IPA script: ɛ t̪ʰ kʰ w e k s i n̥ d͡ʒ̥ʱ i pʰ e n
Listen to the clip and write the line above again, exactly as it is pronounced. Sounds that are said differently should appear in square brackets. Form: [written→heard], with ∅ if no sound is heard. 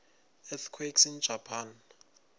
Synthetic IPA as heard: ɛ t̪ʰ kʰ w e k s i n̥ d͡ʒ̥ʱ [i→a] pʰ [e→a] n